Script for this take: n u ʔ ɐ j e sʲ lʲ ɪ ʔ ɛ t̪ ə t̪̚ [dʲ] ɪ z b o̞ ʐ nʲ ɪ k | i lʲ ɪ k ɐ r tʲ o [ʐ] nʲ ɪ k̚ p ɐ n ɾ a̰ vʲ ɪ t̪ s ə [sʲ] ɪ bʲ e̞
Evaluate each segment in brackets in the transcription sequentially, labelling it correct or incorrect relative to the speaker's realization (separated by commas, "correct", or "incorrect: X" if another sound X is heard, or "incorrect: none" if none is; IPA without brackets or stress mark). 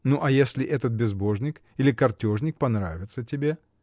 incorrect: bʲ, correct, incorrect: tʲ